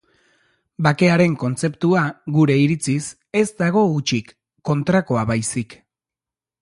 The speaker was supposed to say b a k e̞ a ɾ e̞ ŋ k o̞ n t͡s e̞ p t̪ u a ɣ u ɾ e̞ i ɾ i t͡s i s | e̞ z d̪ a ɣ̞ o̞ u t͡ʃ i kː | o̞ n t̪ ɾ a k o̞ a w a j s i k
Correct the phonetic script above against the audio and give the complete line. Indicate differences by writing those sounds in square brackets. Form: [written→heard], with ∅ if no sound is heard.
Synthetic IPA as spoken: b a k e̞ a ɾ e̞ ŋ k o̞ n t͡s e̞ p t̪ u a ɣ u ɾ e̞ i ɾ i t͡s i s | e̞ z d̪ a ɣ̞ o̞ u t͡ʃ i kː | o̞ n t̪ ɾ a k o̞ a [w→β] a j s i k